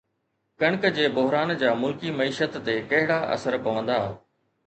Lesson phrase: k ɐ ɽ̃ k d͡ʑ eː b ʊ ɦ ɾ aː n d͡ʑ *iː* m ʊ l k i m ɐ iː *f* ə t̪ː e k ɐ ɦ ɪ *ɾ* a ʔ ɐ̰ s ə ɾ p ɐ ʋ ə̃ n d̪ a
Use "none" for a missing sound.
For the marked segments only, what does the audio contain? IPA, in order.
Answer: aː, ʃ, ɽ

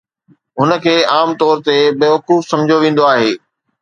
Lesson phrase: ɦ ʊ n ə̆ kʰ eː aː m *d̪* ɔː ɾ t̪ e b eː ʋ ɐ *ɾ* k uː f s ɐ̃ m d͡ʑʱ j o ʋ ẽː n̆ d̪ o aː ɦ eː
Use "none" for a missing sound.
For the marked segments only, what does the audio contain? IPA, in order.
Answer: t̪, none

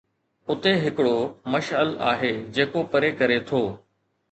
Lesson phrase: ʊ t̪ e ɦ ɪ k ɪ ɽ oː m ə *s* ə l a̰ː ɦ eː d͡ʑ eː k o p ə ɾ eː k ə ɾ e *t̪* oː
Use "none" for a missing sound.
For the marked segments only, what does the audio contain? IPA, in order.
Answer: ʃ, t̪ʰ

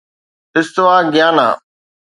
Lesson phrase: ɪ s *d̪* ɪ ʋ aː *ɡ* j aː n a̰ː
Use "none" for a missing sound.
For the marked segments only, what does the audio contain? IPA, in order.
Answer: t̪, ɡ

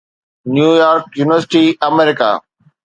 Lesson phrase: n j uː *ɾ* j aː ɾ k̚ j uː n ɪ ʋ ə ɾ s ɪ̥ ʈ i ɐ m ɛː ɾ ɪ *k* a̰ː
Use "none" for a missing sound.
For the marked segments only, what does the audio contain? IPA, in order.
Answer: none, k

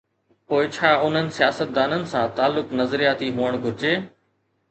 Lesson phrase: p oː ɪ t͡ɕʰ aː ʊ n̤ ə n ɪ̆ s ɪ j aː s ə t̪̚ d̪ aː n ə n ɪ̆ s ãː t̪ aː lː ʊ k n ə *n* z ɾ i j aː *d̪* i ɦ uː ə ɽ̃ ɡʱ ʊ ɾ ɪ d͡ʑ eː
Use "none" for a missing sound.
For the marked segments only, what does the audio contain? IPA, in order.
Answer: none, t̪

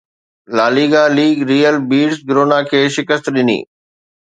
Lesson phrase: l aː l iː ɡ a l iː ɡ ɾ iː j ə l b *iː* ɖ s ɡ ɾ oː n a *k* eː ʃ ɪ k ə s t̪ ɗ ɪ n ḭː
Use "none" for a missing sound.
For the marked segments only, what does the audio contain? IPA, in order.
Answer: iː, kʰ

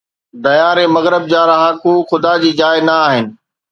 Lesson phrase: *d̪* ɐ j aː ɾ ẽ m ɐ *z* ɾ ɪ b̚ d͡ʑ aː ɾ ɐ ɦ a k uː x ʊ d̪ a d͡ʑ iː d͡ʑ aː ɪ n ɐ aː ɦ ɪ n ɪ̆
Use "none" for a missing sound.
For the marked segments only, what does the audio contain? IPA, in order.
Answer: d̪, ɣ

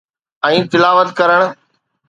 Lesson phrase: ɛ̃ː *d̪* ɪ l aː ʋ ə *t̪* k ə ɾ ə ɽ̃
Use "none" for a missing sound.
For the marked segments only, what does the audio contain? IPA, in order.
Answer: t̪, t̪

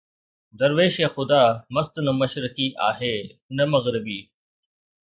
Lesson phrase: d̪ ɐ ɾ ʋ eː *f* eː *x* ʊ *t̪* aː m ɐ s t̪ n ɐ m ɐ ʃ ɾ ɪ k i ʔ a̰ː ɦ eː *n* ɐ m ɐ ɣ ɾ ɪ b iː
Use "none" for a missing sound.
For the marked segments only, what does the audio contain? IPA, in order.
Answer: ʃ, x, d̪, n

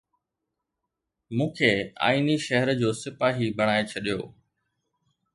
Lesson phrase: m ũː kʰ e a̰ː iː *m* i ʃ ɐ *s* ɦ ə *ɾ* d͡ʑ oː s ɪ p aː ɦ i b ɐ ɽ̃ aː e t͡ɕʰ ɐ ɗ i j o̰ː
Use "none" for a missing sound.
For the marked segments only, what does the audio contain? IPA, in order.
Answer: n, none, ɾ

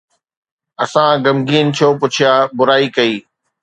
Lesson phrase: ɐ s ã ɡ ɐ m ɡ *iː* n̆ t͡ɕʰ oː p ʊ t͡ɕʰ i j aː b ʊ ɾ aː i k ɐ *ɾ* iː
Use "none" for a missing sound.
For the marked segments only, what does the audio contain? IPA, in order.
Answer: iː, none

